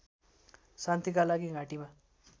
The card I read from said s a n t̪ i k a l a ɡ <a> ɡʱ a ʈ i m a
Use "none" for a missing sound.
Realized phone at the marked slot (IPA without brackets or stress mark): i